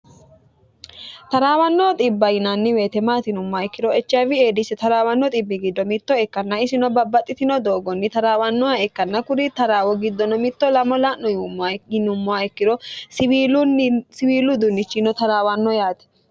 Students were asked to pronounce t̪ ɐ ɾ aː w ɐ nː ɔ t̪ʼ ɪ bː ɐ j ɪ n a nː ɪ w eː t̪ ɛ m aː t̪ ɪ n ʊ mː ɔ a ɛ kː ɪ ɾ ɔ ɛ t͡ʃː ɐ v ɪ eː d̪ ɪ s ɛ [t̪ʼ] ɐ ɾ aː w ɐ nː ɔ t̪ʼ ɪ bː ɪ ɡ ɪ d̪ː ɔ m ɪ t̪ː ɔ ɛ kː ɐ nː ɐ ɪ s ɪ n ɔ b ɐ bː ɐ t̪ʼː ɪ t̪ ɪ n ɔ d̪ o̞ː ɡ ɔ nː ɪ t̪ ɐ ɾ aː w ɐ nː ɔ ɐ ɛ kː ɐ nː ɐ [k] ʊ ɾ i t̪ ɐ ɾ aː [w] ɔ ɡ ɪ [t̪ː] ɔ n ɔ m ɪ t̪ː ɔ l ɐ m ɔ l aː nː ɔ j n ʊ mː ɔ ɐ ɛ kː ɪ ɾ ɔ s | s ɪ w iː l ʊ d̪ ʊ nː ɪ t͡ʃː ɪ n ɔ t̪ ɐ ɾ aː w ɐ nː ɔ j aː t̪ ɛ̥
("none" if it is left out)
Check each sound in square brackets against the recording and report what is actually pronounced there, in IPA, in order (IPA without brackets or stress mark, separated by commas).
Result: t̪, k, w, d̪ː